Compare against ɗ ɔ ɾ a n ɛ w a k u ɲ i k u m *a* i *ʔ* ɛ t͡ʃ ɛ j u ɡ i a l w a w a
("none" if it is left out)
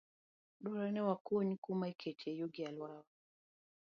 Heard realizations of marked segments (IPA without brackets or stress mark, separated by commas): a, k